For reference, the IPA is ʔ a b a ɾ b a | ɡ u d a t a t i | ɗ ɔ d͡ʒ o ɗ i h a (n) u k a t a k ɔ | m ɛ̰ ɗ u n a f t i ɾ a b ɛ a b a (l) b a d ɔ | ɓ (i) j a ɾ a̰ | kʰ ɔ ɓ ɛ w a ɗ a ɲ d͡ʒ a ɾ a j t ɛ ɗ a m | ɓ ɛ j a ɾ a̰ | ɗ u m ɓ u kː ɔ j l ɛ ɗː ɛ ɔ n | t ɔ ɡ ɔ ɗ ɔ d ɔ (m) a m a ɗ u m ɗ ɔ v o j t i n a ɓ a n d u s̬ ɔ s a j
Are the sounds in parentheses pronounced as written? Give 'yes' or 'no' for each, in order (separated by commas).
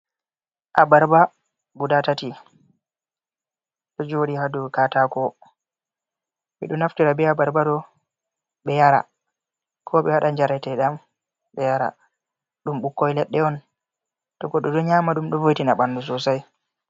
no, no, no, no